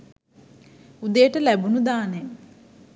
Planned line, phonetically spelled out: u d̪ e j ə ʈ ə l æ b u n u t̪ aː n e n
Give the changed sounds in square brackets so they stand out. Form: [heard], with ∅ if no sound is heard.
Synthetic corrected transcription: u d̪ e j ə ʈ ə l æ b u n u [d̪] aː n e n